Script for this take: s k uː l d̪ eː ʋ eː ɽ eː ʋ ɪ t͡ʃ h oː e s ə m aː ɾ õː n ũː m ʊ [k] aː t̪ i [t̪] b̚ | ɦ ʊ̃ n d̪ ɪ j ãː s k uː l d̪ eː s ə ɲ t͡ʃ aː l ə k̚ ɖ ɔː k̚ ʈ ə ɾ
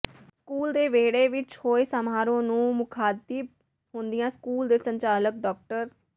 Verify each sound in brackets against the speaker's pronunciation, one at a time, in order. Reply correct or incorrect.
incorrect: kʰ, incorrect: none

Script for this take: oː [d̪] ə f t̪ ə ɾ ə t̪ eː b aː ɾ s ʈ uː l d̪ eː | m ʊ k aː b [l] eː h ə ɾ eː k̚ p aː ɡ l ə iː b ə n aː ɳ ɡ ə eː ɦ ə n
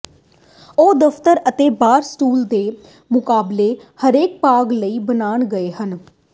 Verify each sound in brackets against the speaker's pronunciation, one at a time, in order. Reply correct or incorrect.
correct, correct

